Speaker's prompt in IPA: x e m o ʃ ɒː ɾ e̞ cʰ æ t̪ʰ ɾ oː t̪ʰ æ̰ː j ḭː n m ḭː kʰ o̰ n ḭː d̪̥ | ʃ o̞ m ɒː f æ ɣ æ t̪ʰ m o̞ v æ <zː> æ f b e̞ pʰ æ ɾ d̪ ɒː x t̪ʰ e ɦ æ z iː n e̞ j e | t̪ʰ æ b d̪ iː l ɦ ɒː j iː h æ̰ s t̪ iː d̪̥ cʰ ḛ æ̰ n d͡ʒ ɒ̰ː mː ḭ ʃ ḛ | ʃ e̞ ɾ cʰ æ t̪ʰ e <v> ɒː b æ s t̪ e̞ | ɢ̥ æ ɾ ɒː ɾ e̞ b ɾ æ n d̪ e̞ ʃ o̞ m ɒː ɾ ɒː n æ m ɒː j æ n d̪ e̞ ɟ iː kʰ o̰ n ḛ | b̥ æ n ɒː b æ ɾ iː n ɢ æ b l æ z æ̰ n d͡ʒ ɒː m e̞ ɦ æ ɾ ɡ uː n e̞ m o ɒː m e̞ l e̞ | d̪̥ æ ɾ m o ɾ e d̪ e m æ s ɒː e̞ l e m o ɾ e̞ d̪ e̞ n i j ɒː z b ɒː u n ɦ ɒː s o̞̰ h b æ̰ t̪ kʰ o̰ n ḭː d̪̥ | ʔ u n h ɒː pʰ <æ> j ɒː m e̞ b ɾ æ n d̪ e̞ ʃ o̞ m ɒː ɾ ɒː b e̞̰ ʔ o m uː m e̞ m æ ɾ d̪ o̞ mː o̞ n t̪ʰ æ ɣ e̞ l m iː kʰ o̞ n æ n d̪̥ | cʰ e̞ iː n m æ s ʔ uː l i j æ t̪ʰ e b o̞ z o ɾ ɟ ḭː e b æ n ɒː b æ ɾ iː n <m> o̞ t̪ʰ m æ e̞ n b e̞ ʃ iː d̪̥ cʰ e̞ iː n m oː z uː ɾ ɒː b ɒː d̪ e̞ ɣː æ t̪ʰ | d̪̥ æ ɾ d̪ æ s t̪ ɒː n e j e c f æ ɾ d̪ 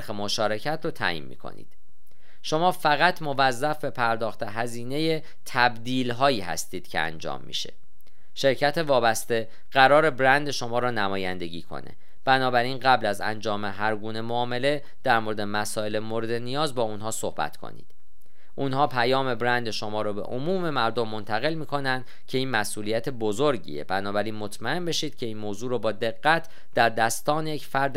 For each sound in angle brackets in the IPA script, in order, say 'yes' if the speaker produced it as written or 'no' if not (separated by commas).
yes, yes, yes, yes